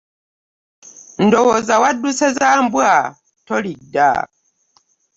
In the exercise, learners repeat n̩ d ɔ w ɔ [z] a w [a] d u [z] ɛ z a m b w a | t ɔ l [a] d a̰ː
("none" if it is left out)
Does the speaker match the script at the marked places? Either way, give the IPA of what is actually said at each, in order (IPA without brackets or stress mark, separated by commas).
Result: z, a, s, i